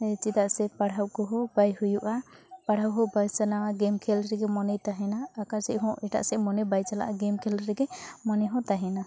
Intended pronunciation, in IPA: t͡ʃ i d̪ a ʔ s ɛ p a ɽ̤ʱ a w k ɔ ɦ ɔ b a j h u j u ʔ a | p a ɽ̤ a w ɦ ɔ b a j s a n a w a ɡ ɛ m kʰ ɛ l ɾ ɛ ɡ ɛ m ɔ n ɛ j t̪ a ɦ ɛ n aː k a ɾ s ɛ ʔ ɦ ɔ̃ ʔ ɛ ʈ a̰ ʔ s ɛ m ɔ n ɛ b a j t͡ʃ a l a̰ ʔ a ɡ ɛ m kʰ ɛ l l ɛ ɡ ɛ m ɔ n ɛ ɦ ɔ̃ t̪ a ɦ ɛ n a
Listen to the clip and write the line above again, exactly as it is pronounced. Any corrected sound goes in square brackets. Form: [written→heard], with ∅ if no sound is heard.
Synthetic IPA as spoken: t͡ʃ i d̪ a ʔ s ɛ p a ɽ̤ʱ a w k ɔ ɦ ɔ b a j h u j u ʔ a | p a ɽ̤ a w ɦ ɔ b a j s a n a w a ɡ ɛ m kʰ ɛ l ɾ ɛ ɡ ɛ m ɔ n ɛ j t̪ a ɦ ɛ n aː k a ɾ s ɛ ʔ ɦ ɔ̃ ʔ ɛ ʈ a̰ ʔ s ɛ m ɔ n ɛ b a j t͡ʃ a l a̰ ʔ a ɡ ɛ m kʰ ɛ l [l→ɾ] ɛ ɡ ɛ m ɔ n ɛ ɦ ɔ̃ t̪ a ɦ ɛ n a